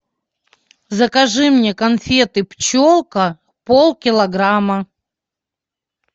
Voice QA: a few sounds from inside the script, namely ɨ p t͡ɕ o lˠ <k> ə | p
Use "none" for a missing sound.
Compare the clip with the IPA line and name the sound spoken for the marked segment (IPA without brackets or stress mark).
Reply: k